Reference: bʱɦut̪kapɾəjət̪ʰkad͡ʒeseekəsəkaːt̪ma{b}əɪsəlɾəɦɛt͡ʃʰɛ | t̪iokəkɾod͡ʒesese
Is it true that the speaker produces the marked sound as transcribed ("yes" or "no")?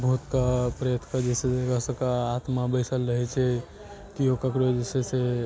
yes